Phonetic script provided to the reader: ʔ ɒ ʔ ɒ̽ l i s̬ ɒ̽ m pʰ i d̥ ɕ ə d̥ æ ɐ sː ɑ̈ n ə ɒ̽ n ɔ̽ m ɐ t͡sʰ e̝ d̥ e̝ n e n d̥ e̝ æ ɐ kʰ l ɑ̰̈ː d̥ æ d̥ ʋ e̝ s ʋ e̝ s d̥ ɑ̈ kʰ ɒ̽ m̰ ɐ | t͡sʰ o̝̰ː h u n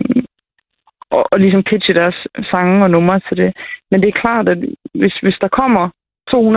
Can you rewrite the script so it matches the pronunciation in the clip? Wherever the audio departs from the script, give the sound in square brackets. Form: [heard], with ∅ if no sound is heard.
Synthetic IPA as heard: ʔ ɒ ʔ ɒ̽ l i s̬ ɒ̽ m pʰ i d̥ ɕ ə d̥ æ ɐ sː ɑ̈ [ŋ] ə ɒ̽ n ɔ̽ m ɐ t͡sʰ e̝ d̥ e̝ [m] e n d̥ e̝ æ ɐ kʰ l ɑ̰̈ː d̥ æ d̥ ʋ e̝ s ʋ e̝ s d̥ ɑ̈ kʰ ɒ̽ m̰ ɐ | t͡sʰ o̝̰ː h u n